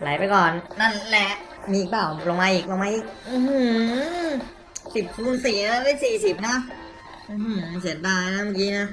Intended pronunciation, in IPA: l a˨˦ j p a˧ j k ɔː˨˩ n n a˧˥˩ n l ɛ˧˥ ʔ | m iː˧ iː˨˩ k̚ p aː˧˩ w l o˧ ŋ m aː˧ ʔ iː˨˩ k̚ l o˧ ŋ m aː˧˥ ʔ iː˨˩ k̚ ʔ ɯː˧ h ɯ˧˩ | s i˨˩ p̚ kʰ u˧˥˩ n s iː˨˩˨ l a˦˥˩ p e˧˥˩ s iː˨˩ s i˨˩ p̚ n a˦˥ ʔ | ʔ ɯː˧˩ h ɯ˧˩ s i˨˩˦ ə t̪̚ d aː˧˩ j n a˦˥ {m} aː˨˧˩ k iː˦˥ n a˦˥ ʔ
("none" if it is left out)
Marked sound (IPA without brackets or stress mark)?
m